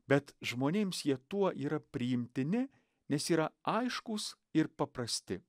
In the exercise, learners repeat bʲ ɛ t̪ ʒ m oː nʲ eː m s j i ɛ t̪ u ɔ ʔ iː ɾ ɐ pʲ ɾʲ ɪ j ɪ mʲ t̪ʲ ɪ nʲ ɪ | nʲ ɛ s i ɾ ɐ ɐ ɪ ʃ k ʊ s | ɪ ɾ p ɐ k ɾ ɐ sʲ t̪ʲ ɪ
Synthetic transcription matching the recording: bʲ ɛ t̪ ʒ m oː nʲ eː m s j i ɛ t̪ u ɔ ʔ iː ɾ ɐ pʲ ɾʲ ɪ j ɪ mʲ t̪ʲ ɪ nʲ ɪ | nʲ ɛ s iː ɾ ɐ ɐ ɪ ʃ k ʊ s | ɪ ɾ p ɐ p ɾ ɐ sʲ t̪ʲ ɪ

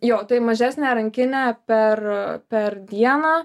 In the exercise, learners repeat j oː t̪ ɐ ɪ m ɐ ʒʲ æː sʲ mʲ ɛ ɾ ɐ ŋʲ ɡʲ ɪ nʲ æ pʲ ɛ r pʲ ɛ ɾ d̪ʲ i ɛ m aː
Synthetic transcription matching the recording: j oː t̪ ɐ ɪ m ɐ ʒʲ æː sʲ nʲ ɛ ɾ ɐ ŋʲ kʲ ɪ nʲ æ pʲ ɛ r pʲ ɛ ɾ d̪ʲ i ɛ n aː

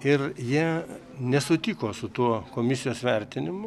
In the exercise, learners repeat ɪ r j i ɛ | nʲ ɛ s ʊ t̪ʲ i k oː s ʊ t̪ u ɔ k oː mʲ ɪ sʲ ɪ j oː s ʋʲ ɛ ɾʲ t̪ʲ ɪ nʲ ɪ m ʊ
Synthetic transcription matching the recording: ɪ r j i ɛ | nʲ ɛ s ʊ t̪ʲ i k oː s ʊ t̪ u ɔ k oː mʲ ɪ sʲ ɪ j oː s ʋʲ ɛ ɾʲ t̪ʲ ɪ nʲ ɪ m ʊ

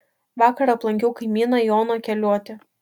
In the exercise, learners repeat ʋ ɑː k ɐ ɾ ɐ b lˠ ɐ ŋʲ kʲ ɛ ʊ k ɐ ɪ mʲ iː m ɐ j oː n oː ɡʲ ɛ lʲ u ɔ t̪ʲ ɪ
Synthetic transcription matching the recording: ʋ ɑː k ɐ ɾ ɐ p lˠ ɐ ŋʲ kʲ ɛ ʊ k ɐ ɪ mʲ iː n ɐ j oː n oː kʲ ɛ lʲ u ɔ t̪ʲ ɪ

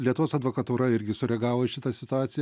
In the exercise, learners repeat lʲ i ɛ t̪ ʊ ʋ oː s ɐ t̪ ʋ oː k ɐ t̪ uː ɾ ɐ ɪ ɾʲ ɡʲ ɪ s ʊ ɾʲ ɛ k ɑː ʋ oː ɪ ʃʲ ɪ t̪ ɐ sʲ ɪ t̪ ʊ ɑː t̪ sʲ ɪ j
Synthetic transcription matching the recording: lʲ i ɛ t̪ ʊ ʋ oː s ɐ d̪ ʋ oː k ɐ t̪ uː ɾ ɐ ɪ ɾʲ ɡʲ ɪ s ʊ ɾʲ ɛ ɡ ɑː ʋ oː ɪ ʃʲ ɪ t̪ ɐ sʲ ɪ t̪ ʊ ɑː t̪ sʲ ɪ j

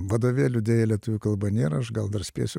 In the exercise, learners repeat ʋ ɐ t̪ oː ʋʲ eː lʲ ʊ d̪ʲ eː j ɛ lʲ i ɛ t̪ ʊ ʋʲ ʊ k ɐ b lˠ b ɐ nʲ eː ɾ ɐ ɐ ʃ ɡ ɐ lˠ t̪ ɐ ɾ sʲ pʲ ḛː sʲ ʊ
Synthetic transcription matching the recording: ʋ ɐ d̪ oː ʋʲ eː lʲ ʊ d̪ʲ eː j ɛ lʲ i ɛ t̪ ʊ ʋʲ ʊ k ɐ lˠ b ɐ nʲ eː ɾ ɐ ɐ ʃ ɡ ɐ lˠ d̪ ɐ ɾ sʲ pʲ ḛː sʲ ʊ

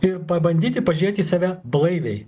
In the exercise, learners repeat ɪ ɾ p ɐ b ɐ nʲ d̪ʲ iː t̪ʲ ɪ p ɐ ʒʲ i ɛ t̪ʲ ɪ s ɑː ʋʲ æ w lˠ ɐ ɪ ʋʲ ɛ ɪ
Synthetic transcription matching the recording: ɪ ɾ p ɐ b ɐ nʲ d̪ʲ iː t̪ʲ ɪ p ɐ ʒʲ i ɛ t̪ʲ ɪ s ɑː ʋʲ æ b lˠ ɐ ɪ ʋʲ ɛ ɪ

